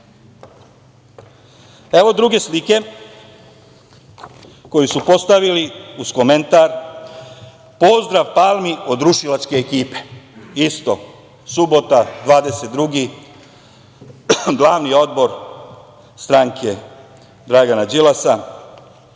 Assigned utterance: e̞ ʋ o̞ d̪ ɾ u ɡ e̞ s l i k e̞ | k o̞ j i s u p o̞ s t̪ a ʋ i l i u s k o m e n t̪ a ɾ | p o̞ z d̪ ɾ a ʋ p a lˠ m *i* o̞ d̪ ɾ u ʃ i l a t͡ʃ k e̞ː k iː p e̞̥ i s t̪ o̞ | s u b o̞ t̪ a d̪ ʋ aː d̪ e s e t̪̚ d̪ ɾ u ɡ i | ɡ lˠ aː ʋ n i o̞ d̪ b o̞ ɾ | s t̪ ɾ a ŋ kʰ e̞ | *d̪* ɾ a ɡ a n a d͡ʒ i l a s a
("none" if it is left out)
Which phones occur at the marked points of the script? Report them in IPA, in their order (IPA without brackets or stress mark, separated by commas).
i, d̪